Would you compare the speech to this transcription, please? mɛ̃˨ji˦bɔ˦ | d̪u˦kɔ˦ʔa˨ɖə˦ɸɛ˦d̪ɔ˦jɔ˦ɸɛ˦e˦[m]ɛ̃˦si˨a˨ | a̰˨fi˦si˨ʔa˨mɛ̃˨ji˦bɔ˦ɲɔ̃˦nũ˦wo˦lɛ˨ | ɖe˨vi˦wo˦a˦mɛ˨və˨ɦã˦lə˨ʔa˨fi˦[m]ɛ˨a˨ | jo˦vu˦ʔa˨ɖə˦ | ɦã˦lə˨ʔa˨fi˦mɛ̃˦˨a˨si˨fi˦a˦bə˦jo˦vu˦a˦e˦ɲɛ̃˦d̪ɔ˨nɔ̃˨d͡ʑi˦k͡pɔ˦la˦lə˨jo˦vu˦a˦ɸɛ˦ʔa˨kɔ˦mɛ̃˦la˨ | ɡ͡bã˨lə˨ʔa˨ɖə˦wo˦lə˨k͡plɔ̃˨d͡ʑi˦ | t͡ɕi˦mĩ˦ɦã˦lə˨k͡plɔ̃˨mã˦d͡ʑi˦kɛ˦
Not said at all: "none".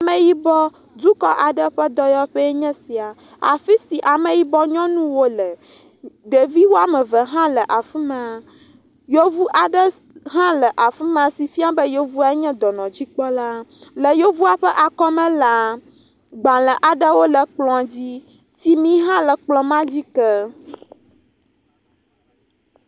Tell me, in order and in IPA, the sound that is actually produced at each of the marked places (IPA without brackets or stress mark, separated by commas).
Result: ɲ, m